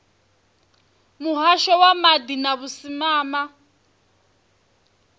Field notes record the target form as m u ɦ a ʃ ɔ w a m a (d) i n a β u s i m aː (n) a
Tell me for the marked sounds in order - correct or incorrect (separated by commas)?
correct, incorrect